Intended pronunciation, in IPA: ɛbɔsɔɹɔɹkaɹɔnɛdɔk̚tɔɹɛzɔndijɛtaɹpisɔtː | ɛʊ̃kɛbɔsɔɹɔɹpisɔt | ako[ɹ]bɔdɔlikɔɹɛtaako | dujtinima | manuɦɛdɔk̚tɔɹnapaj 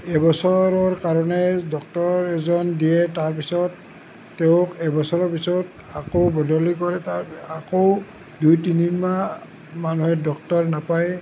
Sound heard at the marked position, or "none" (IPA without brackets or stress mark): none